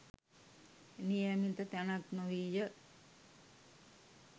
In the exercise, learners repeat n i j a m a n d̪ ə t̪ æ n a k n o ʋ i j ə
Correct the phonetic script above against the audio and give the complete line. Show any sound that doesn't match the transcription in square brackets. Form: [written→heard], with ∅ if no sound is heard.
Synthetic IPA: n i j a m [a→i] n [d̪→t̪] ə t̪ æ n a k n o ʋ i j ə